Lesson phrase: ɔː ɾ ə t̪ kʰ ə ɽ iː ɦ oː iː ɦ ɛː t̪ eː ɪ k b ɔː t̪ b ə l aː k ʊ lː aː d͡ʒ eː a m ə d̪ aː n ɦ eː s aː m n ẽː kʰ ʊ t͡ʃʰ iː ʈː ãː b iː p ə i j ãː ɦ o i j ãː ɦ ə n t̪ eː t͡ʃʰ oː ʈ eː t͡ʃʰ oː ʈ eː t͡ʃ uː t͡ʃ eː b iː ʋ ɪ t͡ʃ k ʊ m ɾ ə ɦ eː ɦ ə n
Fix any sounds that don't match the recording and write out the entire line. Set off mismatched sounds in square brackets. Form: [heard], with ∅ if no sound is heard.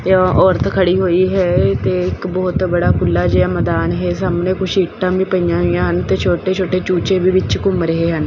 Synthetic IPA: ɔː ɾ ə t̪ kʰ ə ɽ iː ɦ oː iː ɦ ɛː t̪ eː ɪ k b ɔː t̪ b ə [ɽ] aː k ʊ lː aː d͡ʒ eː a m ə d̪ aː n ɦ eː s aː m n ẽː [k] ʊ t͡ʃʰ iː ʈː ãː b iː p ə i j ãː ɦ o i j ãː ɦ ə n t̪ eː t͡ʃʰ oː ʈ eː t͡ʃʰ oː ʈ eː t͡ʃ uː t͡ʃ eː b iː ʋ ɪ t͡ʃ k ʊ m ɾ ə ɦ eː ɦ ə n